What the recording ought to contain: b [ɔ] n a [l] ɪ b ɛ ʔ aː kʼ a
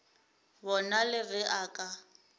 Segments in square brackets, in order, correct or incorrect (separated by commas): correct, correct